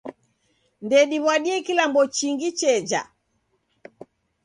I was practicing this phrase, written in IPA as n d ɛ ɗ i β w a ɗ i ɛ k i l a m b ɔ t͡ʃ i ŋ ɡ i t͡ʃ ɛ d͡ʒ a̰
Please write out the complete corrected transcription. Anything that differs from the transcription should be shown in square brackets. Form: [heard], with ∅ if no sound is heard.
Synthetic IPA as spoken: n d ɛ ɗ i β w a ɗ i ɛ k i l a m b ɔ t͡ʃ i ŋ ɡ i t͡ʃ ɛ d͡ʒ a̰